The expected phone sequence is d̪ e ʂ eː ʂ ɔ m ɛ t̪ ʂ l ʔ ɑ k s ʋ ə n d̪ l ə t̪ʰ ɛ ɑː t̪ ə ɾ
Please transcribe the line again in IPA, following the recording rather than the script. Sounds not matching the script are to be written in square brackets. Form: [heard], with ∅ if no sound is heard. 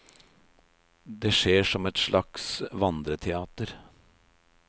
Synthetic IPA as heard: d̪ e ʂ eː ʂ ɔ m ɛ t̪ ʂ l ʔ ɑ k s ʋ [ɑ] n d̪ [ɾ] ə t̪ʰ ɛ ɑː t̪ ə ɾ